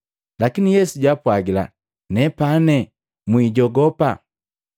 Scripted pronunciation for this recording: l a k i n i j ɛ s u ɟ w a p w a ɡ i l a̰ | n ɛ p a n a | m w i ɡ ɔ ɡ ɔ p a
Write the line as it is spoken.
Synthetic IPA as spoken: l a k i n i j ɛ s u ɟ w a p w a ɡ i l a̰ | n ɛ p a n ɛ | m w i ɟ ɔ ɡ ɔ p a